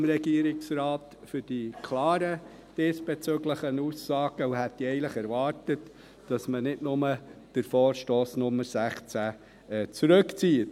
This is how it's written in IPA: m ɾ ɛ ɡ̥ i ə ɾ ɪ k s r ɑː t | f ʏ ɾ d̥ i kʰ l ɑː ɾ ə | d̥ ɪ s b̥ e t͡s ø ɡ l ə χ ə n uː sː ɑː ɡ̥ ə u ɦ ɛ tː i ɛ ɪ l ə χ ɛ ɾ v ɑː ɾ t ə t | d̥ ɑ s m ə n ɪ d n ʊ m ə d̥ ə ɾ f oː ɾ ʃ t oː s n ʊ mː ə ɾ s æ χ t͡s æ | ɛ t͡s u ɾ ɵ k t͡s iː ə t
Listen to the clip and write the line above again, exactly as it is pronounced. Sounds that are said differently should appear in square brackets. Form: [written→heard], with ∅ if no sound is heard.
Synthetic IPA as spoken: m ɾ ɛ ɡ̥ i ə ɾ ɪ k s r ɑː t | f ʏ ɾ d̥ i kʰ l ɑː ɾ ə | d̥ ɪ s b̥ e t͡s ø ɡ l ə χ ə n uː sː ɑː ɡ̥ ə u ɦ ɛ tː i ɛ ɪ l ə χ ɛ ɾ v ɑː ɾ t ə t | d̥ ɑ s m ə n ɪ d n ʊ m ə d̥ ə ɾ f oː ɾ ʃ t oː s n ʊ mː ə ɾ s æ χ t͡s æ | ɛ t͡s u ɾ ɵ k t͡s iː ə t